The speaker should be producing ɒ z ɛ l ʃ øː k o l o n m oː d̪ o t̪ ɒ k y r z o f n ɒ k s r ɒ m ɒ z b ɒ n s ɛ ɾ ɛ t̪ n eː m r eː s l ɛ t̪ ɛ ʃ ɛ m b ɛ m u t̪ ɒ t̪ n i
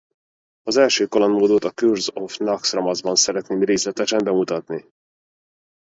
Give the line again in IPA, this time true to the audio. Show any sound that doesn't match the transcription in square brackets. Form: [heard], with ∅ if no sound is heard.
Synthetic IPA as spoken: ɒ z ɛ l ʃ øː k o l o n m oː d̪ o t̪ ɒ k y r z o f n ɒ k s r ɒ m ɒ z b ɒ n s ɛ ɾ ɛ t̪ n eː m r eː s l ɛ t̪ ɛ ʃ ɛ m b ɛ m u t̪ ɒ t̪ n i